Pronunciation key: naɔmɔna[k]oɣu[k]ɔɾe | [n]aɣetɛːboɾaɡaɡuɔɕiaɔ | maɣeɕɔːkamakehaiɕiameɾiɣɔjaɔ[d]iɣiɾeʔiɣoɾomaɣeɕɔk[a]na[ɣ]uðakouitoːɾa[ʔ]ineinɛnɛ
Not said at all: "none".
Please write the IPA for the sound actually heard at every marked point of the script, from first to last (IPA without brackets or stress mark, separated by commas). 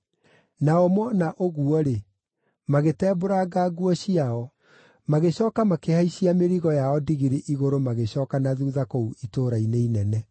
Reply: ʔ, none, m, d, a, ð, none